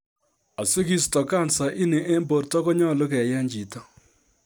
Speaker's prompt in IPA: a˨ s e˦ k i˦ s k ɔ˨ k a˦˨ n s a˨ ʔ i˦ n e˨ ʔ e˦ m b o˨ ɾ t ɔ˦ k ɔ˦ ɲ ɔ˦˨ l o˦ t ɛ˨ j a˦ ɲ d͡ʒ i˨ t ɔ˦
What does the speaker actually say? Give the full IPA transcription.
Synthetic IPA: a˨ s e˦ k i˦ s t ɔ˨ k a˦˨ n s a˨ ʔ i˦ n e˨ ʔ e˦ m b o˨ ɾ t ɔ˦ k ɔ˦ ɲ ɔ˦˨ l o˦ k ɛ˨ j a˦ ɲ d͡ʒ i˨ t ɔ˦